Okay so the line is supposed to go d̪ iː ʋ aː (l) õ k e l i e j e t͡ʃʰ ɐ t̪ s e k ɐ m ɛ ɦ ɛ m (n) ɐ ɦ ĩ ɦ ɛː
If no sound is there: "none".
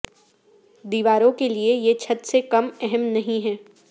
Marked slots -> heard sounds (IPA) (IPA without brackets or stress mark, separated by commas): ɾ, n